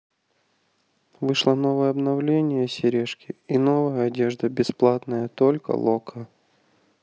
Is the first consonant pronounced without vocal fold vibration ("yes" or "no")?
no